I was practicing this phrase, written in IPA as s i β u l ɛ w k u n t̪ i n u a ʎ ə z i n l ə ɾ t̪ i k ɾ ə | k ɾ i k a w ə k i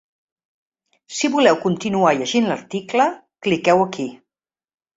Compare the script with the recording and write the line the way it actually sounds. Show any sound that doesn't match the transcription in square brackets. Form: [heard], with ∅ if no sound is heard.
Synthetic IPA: s i β u l ɛ w k u n t̪ i n u a ʎ ə [ʒ] i n l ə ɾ t̪ i k [l] ə | k [l] i k [ɛ] w ə k i

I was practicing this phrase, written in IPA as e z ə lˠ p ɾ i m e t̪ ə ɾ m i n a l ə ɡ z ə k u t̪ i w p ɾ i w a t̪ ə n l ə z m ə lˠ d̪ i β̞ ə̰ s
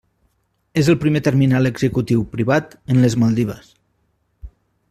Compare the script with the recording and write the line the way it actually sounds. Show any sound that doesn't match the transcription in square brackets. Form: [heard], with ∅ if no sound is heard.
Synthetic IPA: e z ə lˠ p ɾ i m e t̪ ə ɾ m i n a l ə ɡ z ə k u t̪ i w p ɾ i [β] a t̪ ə n l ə z m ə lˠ d̪ i β̞ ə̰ s

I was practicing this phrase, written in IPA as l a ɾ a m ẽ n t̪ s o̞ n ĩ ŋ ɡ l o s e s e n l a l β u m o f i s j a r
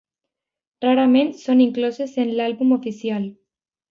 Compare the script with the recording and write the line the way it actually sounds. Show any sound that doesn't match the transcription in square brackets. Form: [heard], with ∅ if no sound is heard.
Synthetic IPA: [r] a ɾ a m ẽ n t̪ s o̞ n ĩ ŋ [k] l o s e s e n l a l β u m o f i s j a [l]

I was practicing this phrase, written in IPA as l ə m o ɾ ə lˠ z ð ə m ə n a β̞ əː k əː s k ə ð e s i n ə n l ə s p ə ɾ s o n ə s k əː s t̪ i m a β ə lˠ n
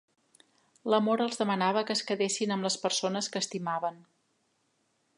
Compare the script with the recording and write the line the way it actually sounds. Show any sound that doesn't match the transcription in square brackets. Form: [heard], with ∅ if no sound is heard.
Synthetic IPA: l ə m o ɾ ə lˠ z ð ə m ə n a β̞ [ə] k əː s k ə ð e s i n ə [m] l ə s p ə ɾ s o n ə s k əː s t̪ i m a β ə [∅] n

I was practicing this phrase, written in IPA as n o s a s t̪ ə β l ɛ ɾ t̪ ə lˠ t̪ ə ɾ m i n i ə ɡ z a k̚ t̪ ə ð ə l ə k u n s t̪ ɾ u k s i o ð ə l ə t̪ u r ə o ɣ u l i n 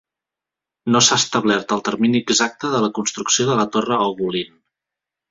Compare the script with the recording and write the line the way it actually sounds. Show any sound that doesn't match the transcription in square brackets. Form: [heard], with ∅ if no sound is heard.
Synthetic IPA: n o s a s t̪ ə β l ɛ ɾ t̪ ə lˠ t̪ ə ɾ m i n i ə ɡ z a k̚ t̪ ə ð ə l ə k u n s t̪ ɾ u k s i o ð ə l ə t̪ [o] r ə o ɣ u l i n

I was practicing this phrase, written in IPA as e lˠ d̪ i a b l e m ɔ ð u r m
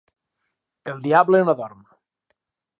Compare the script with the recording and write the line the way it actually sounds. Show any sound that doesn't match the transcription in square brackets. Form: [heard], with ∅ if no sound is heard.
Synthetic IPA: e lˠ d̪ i a b l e [n] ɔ ð [ɔ] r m

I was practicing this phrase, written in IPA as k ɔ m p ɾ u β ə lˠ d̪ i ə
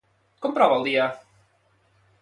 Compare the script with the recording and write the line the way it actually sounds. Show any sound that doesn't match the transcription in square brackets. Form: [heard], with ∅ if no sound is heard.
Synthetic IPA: k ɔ m p ɾ [ɔ] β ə lˠ d̪ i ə

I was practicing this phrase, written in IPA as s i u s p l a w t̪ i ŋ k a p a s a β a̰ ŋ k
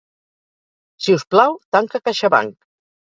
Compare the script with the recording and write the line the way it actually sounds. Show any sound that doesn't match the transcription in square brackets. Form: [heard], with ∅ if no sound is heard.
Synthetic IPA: s i u s p l a w t̪ [a] ŋ k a [k] a [ʃ] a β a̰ ŋ k

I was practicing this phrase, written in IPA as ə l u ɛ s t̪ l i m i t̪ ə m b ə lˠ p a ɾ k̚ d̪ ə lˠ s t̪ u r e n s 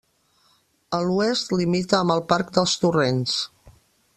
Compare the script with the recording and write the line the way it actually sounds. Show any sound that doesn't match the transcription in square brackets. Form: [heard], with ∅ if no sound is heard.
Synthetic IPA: ə l u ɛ s t̪ l i m i t̪ [əː] m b ə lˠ p a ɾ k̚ d̪ ə lˠ s t̪ u r e n s

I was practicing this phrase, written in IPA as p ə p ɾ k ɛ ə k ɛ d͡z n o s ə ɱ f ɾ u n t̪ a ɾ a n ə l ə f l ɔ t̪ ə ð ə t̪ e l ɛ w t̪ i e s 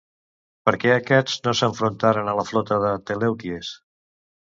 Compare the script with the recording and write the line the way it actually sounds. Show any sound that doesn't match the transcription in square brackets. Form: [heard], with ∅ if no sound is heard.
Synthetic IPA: p ə [∅] ɾ k ɛ ə k ɛ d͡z n o s ə ɱ f ɾ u n t̪ a ɾ [ə] n ə l ə f l ɔ t̪ ə ð ə t̪ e l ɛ w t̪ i e s

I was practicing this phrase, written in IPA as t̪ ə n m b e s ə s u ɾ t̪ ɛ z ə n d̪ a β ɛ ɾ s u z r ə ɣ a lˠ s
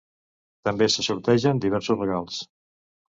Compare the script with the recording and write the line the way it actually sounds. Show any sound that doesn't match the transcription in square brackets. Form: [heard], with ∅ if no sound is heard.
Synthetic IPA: t̪ ə [∅] m b e s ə s u ɾ t̪ ɛ [ʒ] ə n d̪ [i] β ɛ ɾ s u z r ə ɣ a lˠ s

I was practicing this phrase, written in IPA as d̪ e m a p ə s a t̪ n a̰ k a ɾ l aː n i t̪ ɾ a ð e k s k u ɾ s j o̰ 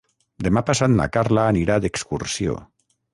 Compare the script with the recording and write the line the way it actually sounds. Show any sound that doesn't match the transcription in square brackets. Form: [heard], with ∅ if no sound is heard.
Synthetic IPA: d̪ e m a p [a] s a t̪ n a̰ k a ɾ l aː n i [∅] ɾ a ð e k s k u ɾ s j o̰

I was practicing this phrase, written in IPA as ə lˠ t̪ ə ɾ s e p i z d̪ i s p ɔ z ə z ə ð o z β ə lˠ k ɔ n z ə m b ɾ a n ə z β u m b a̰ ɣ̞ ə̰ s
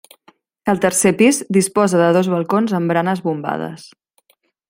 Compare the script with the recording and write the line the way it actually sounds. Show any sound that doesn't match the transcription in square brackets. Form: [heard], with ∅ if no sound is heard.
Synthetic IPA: ə lˠ t̪ ə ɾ s e p i z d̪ i s p ɔ z ə [ð] ə ð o z β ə lˠ k [o] n z ə m b ɾ a n ə z β u m b a̰ [ð̞] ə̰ s

